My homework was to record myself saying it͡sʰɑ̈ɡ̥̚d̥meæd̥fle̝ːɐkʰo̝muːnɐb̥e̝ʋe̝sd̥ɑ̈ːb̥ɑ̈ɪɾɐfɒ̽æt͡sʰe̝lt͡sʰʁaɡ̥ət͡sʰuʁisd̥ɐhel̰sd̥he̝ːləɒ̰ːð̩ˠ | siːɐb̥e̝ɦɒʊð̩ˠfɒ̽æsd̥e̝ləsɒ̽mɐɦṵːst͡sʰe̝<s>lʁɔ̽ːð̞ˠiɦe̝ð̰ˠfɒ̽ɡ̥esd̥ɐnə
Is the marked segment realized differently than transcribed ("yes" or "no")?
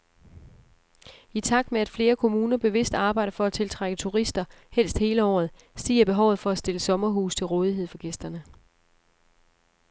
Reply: yes